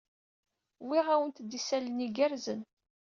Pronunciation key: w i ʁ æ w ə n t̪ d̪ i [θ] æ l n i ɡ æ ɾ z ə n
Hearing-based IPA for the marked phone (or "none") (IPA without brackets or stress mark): s